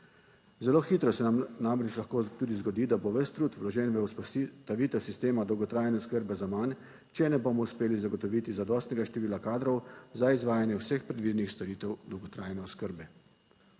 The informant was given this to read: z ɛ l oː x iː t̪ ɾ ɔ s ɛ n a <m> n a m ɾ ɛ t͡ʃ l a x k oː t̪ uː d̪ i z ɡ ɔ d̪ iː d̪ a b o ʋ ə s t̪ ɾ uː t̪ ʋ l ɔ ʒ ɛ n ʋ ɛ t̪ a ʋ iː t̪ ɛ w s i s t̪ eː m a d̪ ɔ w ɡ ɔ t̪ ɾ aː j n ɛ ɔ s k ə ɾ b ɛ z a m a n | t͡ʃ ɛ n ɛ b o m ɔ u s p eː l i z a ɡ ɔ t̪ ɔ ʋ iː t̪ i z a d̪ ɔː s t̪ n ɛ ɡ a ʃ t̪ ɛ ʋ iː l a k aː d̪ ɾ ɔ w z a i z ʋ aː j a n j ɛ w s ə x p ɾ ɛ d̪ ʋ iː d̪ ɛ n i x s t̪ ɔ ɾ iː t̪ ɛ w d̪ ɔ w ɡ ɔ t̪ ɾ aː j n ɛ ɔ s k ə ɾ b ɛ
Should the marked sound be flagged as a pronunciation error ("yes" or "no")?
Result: no